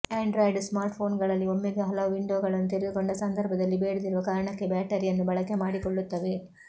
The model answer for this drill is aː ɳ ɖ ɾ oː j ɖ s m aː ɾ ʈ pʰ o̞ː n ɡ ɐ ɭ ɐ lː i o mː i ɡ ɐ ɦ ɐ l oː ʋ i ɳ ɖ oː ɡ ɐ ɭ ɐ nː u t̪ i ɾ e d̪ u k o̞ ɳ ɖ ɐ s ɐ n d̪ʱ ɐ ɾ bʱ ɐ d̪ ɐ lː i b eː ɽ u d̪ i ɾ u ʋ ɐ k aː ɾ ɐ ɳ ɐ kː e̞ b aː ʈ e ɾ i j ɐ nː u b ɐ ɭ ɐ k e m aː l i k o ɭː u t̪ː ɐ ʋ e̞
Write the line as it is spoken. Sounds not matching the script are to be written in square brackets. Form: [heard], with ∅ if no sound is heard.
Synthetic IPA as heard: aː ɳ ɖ ɾ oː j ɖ s m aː ɾ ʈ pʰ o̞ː n ɡ ɐ ɭ ɐ lː i o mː i ɡ ɐ ɦ ɐ l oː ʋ i ɳ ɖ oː ɡ ɐ ɭ ɐ nː u t̪ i ɾ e d̪ u k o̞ ɳ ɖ ɐ s ɐ n d̪ʱ ɐ ɾ bʱ ɐ d̪ ɐ lː i b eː ɽ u d̪ i ɾ u ʋ ɐ k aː ɾ ɐ ɳ ɐ kː e̞ b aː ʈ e ɾ i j ɐ nː u b ɐ ɭ ɐ k e m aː [ɽ] i k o ɭː u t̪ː ɐ ʋ e̞

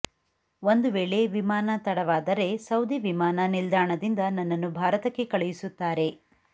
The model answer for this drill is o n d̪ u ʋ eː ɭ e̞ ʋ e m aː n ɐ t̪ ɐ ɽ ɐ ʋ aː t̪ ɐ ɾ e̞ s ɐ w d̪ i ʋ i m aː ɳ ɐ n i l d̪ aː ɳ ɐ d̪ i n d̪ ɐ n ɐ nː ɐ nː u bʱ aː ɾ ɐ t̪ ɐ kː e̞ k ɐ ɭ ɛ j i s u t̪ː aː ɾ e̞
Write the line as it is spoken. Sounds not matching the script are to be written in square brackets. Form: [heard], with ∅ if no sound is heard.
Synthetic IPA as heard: o n d̪ u ʋ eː ɭ e̞ ʋ [i] m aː n ɐ t̪ ɐ ɽ ɐ ʋ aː [d̪] ɐ ɾ e̞ s ɐ w d̪ i ʋ i m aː [n] ɐ n i l d̪ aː ɳ ɐ d̪ i n d̪ ɐ n ɐ nː ɐ nː u bʱ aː ɾ ɐ t̪ ɐ kː e̞ k ɐ ɭ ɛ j i s u t̪ː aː ɾ e̞

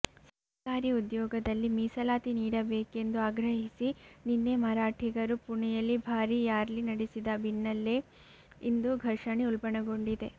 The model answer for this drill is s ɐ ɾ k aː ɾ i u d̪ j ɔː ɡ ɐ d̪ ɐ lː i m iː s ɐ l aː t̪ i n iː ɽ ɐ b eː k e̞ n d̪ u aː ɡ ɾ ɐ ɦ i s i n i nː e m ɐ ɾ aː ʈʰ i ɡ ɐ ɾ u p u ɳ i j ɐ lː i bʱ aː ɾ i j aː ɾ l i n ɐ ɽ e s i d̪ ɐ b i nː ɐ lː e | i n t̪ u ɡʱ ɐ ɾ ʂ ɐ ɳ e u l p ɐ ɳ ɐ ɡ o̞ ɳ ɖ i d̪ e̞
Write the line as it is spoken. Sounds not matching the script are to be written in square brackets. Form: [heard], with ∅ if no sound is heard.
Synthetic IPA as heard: s ɐ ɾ k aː ɾ i u d̪ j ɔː ɡ ɐ d̪ ɐ lː i m iː s ɐ l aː t̪ i n iː ɽ ɐ b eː k e̞ n d̪ u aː ɡ ɾ ɐ ɦ i s i n i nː e m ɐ ɾ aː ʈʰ i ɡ ɐ ɾ u p u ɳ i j ɐ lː i bʱ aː ɾ i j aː ɾ l i n ɐ ɽ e s i d̪ ɐ b i nː ɐ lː e | i n [d̪] u ɡʱ ɐ ɾ ʂ ɐ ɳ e u l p ɐ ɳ ɐ ɡ o̞ ɳ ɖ i d̪ e̞

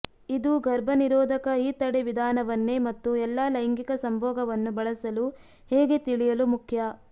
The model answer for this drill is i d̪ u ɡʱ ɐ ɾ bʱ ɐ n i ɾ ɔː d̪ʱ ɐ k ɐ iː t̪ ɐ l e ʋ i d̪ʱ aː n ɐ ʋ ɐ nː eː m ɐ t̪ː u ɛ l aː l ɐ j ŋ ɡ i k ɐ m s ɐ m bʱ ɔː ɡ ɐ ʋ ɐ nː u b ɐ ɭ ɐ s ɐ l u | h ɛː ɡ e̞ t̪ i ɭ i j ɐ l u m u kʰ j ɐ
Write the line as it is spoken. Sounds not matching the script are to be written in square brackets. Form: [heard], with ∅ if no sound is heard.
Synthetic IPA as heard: i d̪ u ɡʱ ɐ ɾ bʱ ɐ n i ɾ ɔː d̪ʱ ɐ k ɐ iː t̪ ɐ [ɽ] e ʋ i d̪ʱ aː n ɐ ʋ ɐ nː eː m ɐ t̪ː u ɛ [lː] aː l ɐ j ŋ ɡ i k ɐ [∅] s ɐ m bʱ ɔː ɡ ɐ ʋ ɐ nː u b ɐ ɭ ɐ s ɐ l u | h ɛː ɡ e̞ t̪ i ɭ i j ɐ l u m u kʰ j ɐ

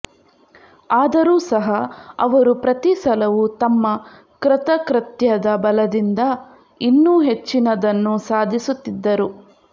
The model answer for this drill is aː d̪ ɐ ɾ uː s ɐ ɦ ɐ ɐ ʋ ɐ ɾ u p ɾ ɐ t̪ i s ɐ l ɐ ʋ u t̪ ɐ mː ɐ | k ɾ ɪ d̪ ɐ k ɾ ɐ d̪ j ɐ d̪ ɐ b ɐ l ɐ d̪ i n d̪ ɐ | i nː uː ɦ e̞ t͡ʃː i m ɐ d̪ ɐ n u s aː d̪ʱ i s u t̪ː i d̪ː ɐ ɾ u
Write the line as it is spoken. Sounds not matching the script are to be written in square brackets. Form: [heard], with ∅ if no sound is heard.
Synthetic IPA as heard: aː d̪ ɐ ɾ uː s ɐ ɦ ɐ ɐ ʋ ɐ ɾ u p ɾ ɐ t̪ i s ɐ l ɐ ʋ u t̪ ɐ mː ɐ | k ɾ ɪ [t̪] ɐ k ɾ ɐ [t̪] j ɐ d̪ ɐ b ɐ l ɐ d̪ i n d̪ ɐ | i nː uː ɦ e̞ t͡ʃː i [n] ɐ d̪ ɐ [nː] u s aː d̪ʱ i s u t̪ː i d̪ː ɐ ɾ u

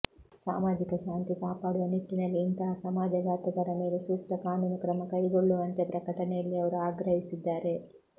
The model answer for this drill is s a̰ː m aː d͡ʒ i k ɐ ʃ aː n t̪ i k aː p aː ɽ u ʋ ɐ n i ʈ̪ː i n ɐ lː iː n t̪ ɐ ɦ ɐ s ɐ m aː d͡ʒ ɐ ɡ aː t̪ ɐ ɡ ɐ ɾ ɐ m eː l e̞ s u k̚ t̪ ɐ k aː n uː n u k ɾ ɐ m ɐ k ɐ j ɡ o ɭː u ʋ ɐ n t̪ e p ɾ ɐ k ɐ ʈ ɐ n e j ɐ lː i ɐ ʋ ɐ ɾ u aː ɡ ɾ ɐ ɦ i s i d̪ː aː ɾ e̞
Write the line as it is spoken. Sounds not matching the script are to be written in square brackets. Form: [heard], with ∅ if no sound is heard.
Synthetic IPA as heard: s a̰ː m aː d͡ʒ i k ɐ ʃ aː n t̪ i k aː p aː ɽ u ʋ ɐ n i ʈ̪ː i n ɐ lː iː n t̪ ɐ ɦ ɐ s ɐ m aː d͡ʒ ɐ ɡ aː t̪ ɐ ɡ ɐ ɾ ɐ m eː l e̞ s [uː] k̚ t̪ ɐ k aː n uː n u k ɾ ɐ m ɐ k ɐ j ɡ o ɭː u ʋ ɐ n t̪ e p ɾ ɐ k ɐ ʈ ɐ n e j ɐ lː i ɐ ʋ ɐ ɾ u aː ɡ ɾ ɐ ɦ i s i d̪ː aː ɾ e̞

